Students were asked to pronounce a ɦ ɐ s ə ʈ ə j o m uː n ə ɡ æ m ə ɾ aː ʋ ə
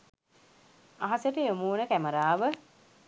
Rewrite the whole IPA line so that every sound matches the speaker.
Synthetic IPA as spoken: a ɦ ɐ s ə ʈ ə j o m uː n ə k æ m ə ɾ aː ʋ ə